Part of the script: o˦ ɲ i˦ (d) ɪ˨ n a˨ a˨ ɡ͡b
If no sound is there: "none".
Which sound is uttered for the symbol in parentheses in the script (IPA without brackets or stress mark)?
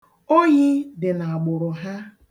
d